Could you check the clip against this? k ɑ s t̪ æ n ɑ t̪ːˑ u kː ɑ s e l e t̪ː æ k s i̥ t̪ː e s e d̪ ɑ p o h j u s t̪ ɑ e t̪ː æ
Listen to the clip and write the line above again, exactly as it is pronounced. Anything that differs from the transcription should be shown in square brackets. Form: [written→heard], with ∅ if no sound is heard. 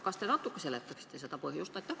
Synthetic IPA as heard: k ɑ s t̪ [æ→e] n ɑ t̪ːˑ u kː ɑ s e l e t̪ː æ k s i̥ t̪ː e s e [d̪→t̪] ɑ p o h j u s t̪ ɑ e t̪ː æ

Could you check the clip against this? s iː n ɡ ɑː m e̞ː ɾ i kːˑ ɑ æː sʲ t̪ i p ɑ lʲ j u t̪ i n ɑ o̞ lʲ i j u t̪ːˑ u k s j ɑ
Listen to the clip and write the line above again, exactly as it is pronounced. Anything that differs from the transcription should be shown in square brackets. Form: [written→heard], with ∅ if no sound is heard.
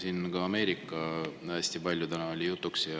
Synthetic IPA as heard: s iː n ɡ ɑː m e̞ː ɾ i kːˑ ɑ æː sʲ t̪ i p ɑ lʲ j u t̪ [i→æ] n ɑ o̞ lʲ i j u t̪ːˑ u k s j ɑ

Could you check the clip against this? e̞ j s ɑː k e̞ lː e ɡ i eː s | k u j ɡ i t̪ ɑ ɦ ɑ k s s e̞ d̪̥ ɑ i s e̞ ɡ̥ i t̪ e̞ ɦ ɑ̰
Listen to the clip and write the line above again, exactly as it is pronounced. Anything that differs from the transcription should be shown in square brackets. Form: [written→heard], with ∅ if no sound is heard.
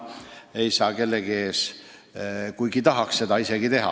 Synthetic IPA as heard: e̞ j s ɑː k e̞ lː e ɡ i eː s | k u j ɡ i t̪ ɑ ɦ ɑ k s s e̞ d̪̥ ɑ i s e̞ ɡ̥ i t̪ e̞ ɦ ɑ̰

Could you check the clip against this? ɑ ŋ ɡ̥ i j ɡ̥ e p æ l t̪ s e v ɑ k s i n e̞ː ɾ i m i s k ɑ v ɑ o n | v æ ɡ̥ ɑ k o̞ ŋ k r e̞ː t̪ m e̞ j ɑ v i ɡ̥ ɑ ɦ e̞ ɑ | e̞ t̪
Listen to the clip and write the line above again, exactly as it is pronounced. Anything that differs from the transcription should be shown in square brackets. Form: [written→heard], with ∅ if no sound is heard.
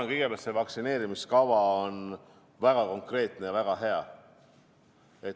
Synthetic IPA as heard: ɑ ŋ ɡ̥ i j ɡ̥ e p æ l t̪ s e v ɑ k s i n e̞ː ɾ i m i s k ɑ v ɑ o n | v æ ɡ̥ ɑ k o̞ ŋ k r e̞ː t̪ [m→n] e̞ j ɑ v [i→æ] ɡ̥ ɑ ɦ e̞ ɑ | e̞ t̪

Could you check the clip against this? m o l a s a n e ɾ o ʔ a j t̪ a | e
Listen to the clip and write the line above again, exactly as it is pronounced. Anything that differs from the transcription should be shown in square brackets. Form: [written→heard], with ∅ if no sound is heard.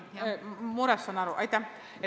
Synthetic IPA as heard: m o [l→ɾ] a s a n [e→a] ɾ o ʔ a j t̪ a | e

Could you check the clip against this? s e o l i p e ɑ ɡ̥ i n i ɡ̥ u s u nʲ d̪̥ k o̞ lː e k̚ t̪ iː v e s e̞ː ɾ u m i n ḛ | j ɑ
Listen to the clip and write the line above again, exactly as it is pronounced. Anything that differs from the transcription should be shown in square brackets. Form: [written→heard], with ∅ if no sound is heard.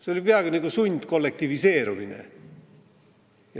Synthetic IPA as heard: s e o l i p e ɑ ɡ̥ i n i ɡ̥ u s u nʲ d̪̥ k o̞ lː e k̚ t̪ [iː→i] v [e→i] s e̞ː ɾ u m i n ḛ | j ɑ

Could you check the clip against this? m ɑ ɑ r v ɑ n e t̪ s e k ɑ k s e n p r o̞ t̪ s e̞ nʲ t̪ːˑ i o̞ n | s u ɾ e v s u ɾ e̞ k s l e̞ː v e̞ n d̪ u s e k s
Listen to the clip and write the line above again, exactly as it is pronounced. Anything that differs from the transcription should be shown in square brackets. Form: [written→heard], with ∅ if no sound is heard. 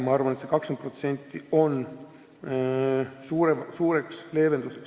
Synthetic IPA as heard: m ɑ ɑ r v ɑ n e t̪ s e k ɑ k s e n p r o̞ t̪ s e̞ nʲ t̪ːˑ i o̞ n | s [u→uː] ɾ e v s [u→uː] ɾ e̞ k s l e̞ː v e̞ n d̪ u s e k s

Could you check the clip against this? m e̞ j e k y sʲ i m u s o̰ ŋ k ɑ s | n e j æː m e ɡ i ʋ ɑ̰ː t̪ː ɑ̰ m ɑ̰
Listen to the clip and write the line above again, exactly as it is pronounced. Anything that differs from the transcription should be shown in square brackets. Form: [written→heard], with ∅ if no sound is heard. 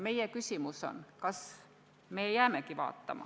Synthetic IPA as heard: m e̞ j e k y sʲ i m u s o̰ [ŋ→n] k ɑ s | [n→m] e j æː m e [ɡ→k] i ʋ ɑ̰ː t̪ː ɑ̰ m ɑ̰

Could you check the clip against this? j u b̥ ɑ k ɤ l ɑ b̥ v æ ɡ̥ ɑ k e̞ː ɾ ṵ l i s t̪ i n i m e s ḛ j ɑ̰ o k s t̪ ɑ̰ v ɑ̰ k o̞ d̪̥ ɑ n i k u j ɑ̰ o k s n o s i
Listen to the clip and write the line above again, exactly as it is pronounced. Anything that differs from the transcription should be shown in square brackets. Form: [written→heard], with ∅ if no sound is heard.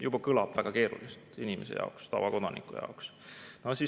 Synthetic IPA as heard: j u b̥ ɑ k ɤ l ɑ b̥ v æ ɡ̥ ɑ k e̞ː ɾ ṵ l i s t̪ i n i m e s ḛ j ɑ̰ o k s t̪ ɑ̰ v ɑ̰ k o̞ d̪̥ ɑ n i k u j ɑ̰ o k s n o s i

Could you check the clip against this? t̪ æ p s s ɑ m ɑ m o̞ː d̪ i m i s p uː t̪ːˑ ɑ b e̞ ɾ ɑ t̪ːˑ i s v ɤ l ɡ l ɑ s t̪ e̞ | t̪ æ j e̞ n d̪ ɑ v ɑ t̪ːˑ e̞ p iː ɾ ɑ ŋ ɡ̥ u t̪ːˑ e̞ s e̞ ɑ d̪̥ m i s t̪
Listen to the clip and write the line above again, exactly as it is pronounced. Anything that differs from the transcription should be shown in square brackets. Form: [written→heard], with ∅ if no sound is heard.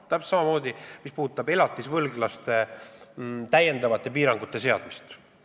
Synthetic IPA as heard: t̪ æ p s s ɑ m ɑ m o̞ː d̪ i m i s p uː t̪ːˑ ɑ b e̞ [ɾ→l] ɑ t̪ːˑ i s v ɤ l ɡ l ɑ s t̪ e̞ | t̪ æ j e̞ n d̪ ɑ v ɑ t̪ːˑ e̞ p iː ɾ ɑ ŋ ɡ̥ u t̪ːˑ e̞ s e̞ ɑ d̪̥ m i s t̪

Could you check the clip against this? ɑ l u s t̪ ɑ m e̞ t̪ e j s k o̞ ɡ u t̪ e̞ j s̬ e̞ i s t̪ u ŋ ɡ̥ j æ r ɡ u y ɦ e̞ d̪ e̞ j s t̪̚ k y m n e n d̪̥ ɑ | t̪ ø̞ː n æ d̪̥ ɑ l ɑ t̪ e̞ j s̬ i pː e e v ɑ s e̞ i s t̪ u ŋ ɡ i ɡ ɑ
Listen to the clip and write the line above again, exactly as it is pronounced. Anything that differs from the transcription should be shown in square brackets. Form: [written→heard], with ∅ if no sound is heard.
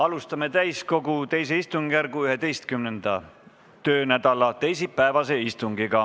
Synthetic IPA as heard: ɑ l u s t̪ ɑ m e̞ t̪ [e→æ] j s k o̞ ɡ u t̪ e̞ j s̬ e̞ i s t̪ u ŋ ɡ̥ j æ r ɡ u y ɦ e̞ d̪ e̞ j s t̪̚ k y m n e n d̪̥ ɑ | t̪ ø̞ː n æ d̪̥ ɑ l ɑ t̪ e̞ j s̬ i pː [e→æ] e v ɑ s e̞ i s t̪ u ŋ ɡ i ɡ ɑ

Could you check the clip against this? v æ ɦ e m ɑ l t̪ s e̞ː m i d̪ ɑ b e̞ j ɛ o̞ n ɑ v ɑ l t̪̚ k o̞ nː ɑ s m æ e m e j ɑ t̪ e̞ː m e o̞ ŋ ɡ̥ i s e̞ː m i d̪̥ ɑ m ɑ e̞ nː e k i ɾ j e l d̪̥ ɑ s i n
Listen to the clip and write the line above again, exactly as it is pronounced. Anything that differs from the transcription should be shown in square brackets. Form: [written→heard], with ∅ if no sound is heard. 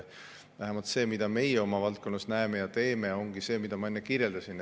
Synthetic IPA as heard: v æ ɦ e m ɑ l t̪ s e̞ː m i d̪ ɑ [b→m] e̞ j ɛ o̞ [n→m] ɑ v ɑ l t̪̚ k o̞ nː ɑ s [m→n] æ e m e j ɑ t̪ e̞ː m e o̞ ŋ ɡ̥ i s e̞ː m i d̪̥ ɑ m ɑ e̞ nː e k i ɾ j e l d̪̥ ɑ s i n

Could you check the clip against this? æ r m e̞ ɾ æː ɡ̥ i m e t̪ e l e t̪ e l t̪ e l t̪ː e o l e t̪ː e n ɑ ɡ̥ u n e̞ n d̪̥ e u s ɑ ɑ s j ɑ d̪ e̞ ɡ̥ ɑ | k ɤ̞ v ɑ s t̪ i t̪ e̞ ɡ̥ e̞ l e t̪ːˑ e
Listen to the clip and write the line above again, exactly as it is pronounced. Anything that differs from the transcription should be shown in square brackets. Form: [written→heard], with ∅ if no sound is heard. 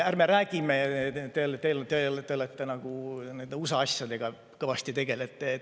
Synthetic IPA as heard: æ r m e̞ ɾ æː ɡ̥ i m e t̪ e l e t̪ e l t̪ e l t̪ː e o l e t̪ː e n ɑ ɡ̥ u n e̞ n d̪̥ e u s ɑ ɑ s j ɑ d̪ e̞ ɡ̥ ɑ | k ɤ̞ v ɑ s t̪ i t̪ e̞ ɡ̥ e̞ l e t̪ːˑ e

